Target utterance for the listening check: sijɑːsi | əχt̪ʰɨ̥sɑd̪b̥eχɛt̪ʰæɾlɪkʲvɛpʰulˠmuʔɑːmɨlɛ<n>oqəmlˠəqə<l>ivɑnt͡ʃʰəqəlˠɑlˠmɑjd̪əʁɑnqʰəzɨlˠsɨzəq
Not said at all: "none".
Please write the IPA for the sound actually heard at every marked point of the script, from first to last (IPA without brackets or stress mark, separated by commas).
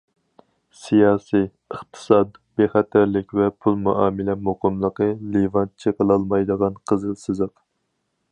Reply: m, l